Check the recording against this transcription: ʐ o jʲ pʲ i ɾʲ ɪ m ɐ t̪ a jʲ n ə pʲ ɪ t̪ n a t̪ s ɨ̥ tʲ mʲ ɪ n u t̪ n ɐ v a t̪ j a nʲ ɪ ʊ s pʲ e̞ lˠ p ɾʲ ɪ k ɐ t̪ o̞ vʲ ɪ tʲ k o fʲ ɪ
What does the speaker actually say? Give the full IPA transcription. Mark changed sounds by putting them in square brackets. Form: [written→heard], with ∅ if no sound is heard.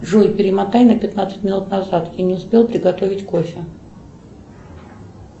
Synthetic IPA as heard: ʐ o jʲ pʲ [i→ɪ] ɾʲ ɪ m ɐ t̪ a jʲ n ə pʲ ɪ t̪ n a t̪ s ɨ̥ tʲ mʲ ɪ n u t̪ n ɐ [v→z] a t̪ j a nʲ ɪ ʊ s pʲ e̞ lˠ p ɾʲ ɪ [k→ɡ] ɐ t̪ o̞ vʲ ɪ tʲ k o fʲ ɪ